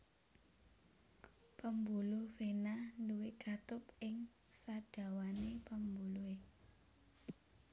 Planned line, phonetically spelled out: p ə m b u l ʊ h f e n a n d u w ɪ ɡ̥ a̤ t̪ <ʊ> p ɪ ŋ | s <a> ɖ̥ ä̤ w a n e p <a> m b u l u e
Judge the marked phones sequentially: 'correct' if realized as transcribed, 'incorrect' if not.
correct, correct, incorrect: ə

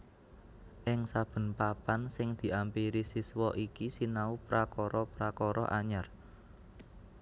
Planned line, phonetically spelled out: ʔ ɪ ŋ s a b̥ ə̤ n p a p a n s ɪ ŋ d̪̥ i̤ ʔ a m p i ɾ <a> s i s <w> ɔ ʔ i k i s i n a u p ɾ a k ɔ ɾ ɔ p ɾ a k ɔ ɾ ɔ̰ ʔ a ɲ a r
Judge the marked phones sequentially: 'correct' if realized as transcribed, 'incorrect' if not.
incorrect: i, correct

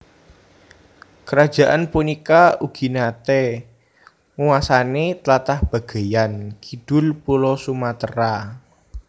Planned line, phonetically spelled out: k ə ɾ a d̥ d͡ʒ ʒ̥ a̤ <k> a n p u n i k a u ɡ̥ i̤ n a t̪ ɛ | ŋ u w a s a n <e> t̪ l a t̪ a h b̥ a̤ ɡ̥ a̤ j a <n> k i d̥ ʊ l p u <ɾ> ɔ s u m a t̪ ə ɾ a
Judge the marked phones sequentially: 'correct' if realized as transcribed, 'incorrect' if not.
incorrect: ʔ, correct, correct, incorrect: l

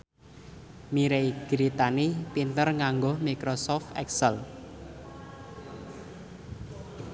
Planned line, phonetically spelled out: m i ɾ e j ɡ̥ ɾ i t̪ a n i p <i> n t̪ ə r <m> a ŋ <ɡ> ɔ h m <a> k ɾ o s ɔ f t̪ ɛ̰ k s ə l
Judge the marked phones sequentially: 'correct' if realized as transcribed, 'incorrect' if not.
correct, incorrect: ŋ, correct, incorrect: i

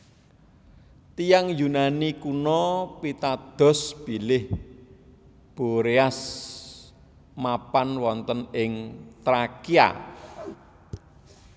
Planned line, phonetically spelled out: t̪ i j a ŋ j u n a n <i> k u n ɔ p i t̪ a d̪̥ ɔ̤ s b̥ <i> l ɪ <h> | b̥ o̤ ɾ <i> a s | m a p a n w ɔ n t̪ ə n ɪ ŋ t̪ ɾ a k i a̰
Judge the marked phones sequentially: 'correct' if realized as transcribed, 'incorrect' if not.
correct, correct, correct, incorrect: e

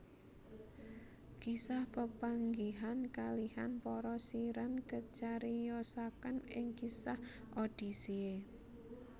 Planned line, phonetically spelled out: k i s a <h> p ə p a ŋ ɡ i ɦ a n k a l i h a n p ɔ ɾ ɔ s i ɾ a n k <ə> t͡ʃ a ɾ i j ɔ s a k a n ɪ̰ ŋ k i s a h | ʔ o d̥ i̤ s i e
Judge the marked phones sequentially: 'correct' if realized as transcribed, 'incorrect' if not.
correct, correct

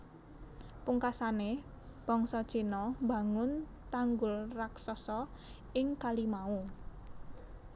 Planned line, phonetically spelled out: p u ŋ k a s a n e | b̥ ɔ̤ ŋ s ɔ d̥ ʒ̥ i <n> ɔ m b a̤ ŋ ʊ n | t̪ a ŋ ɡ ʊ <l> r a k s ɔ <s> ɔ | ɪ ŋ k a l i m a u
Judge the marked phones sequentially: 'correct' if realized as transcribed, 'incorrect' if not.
correct, correct, correct

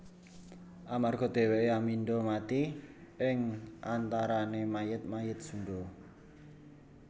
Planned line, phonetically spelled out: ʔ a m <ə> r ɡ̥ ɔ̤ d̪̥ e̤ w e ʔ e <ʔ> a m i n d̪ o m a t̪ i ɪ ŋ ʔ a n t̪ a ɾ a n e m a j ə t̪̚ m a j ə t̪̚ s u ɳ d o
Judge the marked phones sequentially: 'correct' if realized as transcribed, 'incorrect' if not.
incorrect: a, incorrect: none

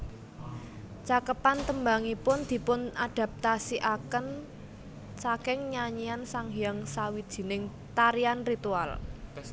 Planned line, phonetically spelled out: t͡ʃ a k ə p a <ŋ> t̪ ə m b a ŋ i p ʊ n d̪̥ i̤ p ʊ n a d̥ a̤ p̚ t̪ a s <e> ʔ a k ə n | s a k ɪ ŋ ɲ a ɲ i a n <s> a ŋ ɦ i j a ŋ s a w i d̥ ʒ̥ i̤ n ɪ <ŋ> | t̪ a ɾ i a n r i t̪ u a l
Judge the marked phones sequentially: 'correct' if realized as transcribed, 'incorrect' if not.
incorrect: n, incorrect: i, correct, correct

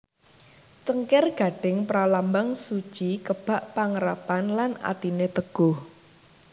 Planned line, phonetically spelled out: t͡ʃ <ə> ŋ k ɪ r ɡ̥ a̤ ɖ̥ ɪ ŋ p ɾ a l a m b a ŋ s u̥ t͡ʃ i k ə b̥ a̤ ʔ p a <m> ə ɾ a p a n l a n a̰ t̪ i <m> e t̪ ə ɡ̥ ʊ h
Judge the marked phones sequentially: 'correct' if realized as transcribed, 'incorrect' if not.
correct, incorrect: ŋ, incorrect: n

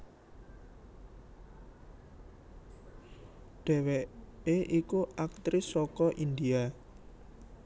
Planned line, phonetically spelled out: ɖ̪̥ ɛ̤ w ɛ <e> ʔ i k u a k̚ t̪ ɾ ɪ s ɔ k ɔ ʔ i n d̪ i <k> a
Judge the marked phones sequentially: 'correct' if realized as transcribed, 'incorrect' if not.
correct, incorrect: none

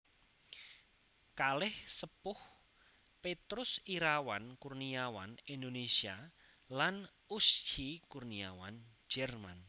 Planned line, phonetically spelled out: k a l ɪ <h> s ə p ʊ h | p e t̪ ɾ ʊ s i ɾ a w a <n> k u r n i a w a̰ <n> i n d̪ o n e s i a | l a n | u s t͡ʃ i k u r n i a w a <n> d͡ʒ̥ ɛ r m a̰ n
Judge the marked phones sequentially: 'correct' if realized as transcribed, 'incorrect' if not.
correct, correct, correct, correct

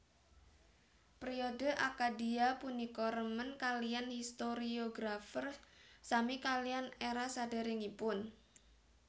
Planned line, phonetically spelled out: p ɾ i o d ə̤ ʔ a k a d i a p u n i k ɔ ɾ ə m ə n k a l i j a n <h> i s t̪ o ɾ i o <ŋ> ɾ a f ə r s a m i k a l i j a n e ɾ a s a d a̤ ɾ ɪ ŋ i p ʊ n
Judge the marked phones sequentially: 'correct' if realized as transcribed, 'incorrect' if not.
correct, incorrect: ɡ

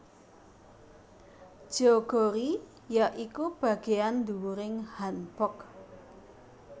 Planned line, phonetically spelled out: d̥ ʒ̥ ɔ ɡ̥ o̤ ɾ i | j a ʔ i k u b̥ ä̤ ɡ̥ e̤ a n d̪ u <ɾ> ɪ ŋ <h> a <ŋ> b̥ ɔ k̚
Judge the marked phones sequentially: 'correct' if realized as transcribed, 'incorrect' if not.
correct, correct, incorrect: n

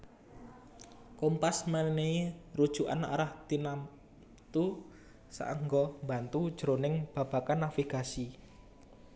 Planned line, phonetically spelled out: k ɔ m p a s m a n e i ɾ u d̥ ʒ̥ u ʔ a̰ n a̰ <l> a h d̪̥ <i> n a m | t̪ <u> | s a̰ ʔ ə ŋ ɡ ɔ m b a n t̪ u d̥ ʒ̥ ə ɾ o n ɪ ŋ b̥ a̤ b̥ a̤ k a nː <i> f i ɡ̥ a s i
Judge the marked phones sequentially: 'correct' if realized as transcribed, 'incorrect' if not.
incorrect: ɾ, correct, correct, incorrect: a

